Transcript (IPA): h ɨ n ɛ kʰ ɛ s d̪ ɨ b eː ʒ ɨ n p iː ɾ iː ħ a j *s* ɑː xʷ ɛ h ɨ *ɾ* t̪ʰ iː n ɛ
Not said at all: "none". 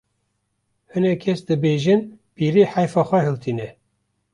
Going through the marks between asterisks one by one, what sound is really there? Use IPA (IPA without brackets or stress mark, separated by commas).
f, l